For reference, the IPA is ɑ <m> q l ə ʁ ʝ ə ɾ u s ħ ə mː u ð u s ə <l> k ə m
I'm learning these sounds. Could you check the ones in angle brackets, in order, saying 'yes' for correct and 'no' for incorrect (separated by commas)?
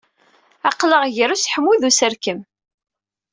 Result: no, no